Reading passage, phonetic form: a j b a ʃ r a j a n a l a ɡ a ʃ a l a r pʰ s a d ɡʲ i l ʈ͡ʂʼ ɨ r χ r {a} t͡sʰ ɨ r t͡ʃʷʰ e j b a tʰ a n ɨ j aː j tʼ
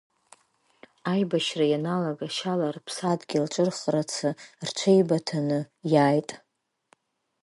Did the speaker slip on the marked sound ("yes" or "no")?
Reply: no